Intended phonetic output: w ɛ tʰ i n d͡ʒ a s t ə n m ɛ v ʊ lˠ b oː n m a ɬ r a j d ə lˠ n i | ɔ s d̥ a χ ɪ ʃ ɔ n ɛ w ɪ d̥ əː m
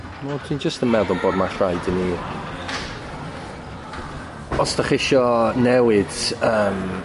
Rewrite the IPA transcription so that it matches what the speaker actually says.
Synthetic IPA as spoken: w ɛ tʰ i n d͡ʒ ə s t ə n m ɛ ð ʊ lˠ b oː d m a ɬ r a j d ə n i | ɔ s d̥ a χ ɪ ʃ ɔ n ɛ w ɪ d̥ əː m